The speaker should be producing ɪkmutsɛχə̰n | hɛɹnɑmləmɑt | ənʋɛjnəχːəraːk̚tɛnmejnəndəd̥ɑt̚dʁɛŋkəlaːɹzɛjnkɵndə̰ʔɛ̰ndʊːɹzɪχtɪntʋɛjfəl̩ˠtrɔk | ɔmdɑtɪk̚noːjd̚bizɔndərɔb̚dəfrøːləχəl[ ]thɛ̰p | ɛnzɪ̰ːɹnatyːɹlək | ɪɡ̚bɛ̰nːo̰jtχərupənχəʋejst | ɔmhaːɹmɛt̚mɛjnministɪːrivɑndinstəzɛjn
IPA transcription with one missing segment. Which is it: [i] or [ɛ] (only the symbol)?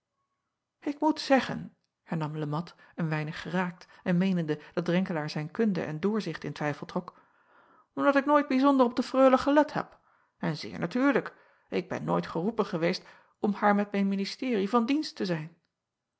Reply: ɛ